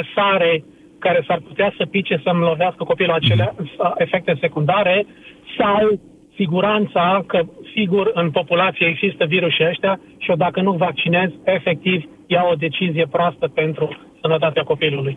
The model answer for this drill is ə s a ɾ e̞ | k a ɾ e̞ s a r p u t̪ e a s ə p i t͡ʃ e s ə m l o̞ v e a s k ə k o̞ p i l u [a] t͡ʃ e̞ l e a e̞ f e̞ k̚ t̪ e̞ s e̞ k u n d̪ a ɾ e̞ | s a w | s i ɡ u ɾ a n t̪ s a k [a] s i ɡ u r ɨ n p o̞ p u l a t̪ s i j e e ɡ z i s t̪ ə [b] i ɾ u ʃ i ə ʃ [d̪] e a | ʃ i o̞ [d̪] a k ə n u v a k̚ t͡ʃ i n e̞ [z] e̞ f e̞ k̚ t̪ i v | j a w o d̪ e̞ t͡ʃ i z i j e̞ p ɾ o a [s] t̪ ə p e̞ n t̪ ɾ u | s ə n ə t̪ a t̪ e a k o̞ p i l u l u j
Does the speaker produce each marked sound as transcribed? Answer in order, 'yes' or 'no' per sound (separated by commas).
yes, no, no, no, yes, yes, yes